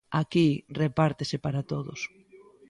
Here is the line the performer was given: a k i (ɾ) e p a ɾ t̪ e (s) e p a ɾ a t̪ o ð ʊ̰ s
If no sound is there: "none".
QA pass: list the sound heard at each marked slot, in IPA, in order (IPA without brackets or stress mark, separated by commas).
r, s